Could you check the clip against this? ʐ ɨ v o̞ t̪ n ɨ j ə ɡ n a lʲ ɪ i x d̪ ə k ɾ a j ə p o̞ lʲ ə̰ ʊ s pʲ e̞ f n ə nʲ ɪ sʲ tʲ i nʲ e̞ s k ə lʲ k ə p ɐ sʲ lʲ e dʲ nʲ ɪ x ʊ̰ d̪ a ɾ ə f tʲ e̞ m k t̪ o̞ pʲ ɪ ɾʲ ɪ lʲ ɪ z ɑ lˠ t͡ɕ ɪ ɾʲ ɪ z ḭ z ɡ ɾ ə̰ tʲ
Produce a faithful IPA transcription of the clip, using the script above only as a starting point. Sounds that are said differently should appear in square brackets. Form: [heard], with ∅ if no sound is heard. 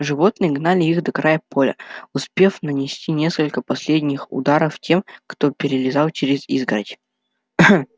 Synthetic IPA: ʐ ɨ v o̞ t̪ n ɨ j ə ɡ n a lʲ ɪ i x d̪ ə k ɾ a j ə p o̞ lʲ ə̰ ʊ s pʲ e̞ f n ə nʲ ɪ sʲ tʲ i nʲ e̞ s k ə lʲ k ə p ɐ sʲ lʲ e dʲ nʲ ɪ x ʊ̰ d̪ a ɾ ə f tʲ e̞ m k t̪ o̞ pʲ ɪ ɾʲ ɪ lʲ ɪ z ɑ lˠ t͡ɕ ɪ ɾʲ ɪ z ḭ z ɡ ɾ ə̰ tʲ